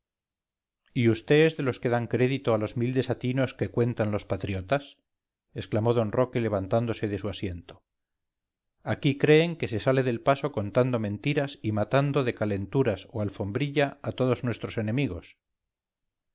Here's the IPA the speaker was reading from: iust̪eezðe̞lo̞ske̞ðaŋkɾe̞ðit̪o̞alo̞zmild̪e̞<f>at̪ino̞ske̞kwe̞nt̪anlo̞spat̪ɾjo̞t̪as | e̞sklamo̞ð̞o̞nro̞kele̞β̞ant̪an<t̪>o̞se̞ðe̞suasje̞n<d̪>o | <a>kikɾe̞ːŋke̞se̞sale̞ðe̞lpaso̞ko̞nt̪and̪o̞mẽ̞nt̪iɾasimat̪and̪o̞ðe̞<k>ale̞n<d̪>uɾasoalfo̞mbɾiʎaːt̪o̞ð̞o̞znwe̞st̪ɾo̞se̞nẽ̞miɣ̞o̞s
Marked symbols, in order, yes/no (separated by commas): no, no, no, yes, yes, no